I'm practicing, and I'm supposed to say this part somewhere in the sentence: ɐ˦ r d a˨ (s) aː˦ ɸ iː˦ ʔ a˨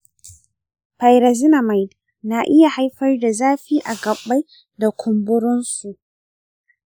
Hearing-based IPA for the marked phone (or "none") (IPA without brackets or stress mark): z